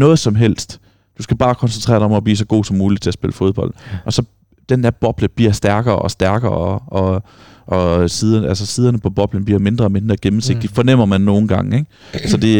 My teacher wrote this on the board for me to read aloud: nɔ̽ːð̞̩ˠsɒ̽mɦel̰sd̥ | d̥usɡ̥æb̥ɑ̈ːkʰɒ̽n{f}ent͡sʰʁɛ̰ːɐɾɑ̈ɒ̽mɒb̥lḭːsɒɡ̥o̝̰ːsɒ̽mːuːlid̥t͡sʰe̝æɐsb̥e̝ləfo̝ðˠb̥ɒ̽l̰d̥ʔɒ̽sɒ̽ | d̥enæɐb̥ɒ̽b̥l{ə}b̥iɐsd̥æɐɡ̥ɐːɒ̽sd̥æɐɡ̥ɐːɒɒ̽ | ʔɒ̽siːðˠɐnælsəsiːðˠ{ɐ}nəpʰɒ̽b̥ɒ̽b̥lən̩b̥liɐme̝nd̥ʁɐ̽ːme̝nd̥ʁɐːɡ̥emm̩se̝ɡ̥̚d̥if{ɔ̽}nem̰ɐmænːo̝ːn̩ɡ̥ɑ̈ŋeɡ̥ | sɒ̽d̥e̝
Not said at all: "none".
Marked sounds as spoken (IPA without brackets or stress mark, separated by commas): s, ə, ɐ, ɒ̽